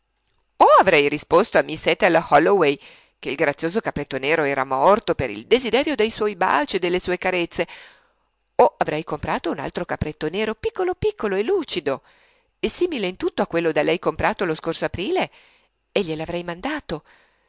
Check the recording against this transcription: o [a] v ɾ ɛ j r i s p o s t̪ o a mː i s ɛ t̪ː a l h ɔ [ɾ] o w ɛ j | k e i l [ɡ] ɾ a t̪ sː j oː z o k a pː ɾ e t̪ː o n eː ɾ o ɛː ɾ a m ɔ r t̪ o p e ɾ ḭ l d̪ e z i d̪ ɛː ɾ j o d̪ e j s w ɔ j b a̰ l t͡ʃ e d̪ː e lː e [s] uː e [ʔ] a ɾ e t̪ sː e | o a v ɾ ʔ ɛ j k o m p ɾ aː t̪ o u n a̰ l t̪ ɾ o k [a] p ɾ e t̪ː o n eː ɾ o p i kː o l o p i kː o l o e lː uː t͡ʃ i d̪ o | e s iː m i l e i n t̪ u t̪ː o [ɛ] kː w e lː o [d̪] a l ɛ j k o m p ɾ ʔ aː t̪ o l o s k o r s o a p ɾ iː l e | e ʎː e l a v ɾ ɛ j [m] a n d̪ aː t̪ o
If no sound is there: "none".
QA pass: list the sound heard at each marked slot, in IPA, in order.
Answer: a, l, ɡ, s, k, a, a, d̪, m

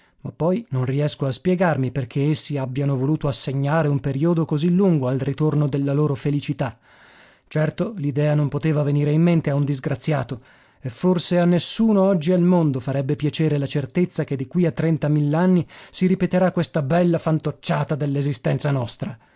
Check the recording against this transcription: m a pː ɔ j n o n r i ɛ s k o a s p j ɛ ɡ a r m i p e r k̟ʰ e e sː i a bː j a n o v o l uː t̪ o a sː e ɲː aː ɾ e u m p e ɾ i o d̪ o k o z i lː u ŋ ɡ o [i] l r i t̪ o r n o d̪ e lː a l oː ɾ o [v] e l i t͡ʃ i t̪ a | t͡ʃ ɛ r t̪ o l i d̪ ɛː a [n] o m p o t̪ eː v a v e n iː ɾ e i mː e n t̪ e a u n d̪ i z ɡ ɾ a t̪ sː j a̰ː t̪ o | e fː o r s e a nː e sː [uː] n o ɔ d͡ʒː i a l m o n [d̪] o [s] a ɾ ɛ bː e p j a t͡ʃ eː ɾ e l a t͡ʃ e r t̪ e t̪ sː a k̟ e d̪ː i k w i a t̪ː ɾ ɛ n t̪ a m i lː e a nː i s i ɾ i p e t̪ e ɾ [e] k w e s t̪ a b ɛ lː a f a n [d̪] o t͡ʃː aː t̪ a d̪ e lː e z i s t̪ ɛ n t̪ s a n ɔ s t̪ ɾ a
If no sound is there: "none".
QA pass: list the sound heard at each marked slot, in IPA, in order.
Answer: a, f, n, uː, d̪, f, a, t̪

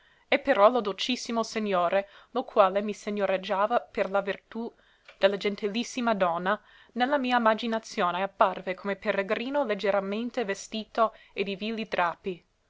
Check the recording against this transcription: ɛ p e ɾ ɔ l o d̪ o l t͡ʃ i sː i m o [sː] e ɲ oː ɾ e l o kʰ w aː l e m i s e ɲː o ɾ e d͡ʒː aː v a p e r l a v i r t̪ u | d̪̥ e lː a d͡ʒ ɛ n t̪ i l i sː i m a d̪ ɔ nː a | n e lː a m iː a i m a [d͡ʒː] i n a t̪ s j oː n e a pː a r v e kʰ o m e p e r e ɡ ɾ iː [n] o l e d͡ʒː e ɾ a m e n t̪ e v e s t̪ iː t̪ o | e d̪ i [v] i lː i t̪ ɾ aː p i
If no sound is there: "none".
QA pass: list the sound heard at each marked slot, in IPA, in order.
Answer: s, d͡ʒ, n, v

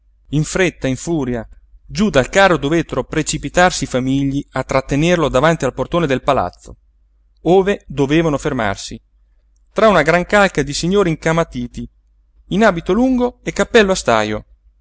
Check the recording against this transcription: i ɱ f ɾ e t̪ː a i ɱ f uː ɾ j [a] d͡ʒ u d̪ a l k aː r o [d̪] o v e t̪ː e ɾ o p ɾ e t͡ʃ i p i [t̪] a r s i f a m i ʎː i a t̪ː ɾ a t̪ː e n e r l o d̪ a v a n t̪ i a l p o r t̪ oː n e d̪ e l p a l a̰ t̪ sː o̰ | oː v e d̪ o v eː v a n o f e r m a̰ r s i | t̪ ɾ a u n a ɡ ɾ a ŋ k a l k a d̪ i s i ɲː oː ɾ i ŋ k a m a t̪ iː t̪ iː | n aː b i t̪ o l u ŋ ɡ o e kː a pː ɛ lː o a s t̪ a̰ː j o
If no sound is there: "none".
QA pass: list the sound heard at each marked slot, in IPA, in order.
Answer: a, d̪, t̪

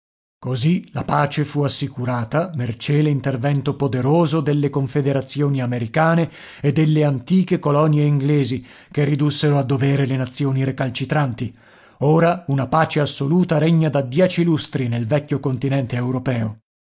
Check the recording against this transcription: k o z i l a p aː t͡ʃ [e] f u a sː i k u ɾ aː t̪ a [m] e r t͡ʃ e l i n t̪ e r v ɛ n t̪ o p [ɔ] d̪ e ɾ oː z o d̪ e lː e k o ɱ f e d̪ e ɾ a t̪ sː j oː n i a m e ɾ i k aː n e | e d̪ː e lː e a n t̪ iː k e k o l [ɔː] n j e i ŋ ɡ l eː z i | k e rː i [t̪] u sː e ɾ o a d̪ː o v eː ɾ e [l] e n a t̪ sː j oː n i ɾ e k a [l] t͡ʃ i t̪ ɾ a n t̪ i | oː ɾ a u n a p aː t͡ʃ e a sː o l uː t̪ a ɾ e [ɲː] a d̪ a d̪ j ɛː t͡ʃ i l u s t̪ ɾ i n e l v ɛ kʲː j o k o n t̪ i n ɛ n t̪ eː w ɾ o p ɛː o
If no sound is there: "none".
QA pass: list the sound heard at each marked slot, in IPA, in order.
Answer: e, m, o, ɔ, d̪, l, l, ɲː

